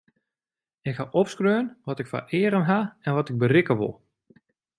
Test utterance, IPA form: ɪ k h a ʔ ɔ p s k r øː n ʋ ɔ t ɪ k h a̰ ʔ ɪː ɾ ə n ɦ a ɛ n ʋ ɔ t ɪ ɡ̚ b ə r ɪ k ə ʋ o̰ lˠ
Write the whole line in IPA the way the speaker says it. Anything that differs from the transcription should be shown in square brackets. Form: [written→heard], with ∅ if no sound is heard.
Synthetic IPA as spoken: ɪ k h a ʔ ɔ p s k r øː n ʋ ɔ t ɪ k [h→f] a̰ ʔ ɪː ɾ ə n ɦ a ɛ n ʋ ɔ t ɪ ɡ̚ b ə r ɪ k ə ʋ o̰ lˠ